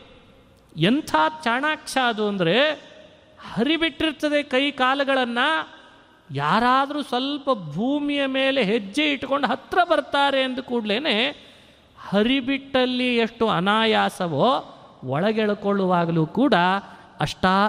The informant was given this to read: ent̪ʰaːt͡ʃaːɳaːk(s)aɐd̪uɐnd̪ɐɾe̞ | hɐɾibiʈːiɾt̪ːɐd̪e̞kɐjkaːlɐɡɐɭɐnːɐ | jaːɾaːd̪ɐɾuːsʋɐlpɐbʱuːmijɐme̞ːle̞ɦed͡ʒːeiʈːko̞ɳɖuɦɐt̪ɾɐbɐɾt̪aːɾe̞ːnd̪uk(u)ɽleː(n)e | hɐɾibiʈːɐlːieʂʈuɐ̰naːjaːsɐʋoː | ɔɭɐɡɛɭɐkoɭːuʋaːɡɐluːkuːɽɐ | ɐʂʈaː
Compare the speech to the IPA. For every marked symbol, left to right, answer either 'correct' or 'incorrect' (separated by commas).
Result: incorrect, incorrect, correct